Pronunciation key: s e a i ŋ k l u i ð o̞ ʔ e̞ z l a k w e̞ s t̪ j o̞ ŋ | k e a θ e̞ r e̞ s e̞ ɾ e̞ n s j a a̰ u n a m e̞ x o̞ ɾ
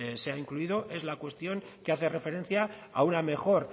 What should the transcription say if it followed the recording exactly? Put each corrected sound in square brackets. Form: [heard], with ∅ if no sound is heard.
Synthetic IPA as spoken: s e a i ŋ k l u i ð o̞ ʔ e̞ z l a k w e̞ s t̪ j o̞ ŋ | k e a θ e̞ r e̞ [f] e̞ ɾ e̞ n [θ] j a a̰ u n a m e̞ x o̞ ɾ